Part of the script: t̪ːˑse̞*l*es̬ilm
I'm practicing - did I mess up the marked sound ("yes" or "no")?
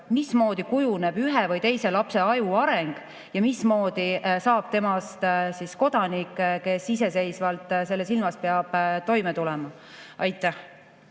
yes